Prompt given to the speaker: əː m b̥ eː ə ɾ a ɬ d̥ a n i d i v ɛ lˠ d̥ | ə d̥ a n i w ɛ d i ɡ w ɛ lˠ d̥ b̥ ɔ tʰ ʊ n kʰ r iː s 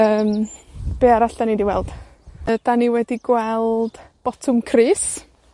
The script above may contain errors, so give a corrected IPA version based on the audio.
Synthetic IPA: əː m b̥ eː a ɾ a ɬ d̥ a n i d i w ɛ lˠ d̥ | ə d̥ a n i w ɛ d i ɡ w ɛ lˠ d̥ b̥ ɔ tʰ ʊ m kʰ r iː s